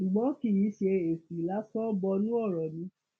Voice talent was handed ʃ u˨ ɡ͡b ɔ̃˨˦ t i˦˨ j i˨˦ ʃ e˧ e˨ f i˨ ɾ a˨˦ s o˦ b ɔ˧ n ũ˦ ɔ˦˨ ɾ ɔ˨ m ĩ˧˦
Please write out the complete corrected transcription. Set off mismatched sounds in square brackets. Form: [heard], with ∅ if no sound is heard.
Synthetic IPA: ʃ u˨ ɡ͡b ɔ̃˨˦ [k] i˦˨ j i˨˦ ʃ e˧ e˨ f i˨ [l] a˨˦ s [ɔ˦] b ɔ˧ n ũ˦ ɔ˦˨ ɾ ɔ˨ [n] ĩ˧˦